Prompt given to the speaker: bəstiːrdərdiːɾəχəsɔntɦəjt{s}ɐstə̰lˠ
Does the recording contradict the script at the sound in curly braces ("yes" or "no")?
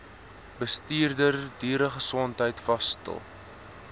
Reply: yes